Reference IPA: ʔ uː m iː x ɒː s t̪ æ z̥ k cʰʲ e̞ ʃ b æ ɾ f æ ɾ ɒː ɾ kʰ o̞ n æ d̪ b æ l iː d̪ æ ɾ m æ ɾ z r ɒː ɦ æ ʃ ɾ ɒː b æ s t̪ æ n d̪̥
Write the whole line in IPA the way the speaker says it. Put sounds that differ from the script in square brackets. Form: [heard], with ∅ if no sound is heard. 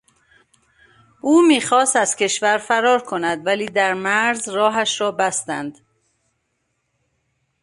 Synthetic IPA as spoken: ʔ uː m iː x ɒː s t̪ æ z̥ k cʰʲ e̞ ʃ [v] æ ɾ f æ ɾ ɒː ɾ kʰ o̞ n æ d̪ [v] æ l iː d̪ æ ɾ m æ ɾ z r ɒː ɦ æ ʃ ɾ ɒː b æ s t̪ æ n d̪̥

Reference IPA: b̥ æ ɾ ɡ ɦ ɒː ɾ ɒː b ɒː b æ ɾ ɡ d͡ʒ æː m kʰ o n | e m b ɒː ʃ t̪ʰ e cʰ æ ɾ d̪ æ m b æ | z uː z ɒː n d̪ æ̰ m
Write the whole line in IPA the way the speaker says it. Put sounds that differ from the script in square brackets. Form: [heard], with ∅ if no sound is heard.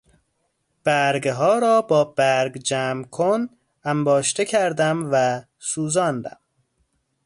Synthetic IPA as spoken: b̥ æ ɾ ɡ ɦ ɒː ɾ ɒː b ɒː b æ ɾ ɡ d͡ʒ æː m kʰ o n | [æ] m b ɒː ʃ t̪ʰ e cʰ æ ɾ d̪ æ m [v] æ | [s] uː z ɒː n d̪ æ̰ m

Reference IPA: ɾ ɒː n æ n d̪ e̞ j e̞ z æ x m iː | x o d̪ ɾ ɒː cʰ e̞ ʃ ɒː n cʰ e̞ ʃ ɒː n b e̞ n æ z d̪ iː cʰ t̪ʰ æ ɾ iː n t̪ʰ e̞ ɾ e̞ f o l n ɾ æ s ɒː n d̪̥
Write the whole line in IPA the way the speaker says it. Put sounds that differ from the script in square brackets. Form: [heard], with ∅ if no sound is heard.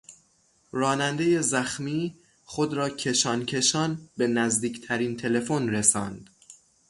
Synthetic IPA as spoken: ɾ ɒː n æ n d̪ e̞ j e̞ z æ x m iː | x o d̪ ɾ ɒː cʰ e̞ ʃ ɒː n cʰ e̞ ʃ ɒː n b e̞ n æ z d̪ iː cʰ t̪ʰ æ ɾ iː n t̪ʰ e̞ [l] e̞ f o [∅] n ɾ [e] s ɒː n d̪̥

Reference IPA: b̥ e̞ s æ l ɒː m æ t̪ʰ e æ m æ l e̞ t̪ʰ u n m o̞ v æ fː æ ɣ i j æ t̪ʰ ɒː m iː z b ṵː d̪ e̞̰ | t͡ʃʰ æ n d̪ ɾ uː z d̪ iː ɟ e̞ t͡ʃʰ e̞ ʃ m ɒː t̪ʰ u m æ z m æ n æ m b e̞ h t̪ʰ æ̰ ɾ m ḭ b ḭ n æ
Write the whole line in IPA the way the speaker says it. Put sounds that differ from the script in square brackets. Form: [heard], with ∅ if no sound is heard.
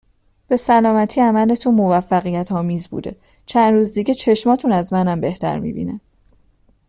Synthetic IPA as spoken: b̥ e̞ s æ l ɒː m æ t̪ʰ [i] æ m æ l e̞ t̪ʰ u n m o̞ v æ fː æ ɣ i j æ t̪ʰ ɒː m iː z b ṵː d̪ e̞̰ | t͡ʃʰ æ n d̪ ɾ uː z d̪ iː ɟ e̞ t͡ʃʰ e̞ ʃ m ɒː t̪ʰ u [n] æ z m æ n æ m b e̞ h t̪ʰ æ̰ ɾ m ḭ b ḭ n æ

